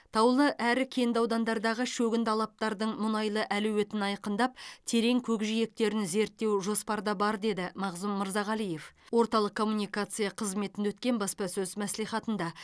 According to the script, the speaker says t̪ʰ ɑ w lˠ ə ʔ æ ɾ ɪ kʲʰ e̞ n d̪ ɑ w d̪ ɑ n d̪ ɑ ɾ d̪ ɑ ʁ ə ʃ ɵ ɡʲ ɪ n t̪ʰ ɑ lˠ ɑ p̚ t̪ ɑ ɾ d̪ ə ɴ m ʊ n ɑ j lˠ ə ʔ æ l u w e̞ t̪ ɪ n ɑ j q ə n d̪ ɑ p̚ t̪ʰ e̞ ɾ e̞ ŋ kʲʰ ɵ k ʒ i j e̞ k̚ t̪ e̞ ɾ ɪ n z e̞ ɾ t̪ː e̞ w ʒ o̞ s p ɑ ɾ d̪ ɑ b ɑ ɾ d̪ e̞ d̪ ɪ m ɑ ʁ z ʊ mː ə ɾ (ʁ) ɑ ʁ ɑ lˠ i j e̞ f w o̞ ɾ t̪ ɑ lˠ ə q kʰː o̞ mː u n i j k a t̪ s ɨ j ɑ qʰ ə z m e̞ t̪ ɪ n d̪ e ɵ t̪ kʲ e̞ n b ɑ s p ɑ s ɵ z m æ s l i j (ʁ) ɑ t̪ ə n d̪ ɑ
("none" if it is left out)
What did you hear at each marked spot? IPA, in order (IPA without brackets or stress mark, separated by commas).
z, χ